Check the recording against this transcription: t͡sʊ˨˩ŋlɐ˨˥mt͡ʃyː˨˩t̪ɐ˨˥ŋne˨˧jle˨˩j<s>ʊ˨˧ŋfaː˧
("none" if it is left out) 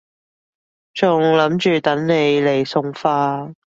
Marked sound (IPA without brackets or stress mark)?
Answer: s